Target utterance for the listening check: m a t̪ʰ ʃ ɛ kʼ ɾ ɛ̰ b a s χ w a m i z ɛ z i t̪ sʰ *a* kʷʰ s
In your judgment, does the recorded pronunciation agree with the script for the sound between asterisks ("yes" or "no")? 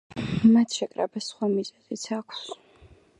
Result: yes